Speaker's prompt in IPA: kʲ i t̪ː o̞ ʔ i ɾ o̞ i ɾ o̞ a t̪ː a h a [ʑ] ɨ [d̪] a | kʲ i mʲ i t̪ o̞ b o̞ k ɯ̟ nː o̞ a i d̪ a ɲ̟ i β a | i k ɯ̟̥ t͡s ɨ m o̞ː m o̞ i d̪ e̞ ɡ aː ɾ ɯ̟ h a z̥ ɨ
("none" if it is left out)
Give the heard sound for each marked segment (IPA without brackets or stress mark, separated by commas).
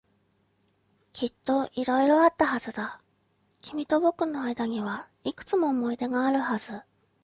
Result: z, d̪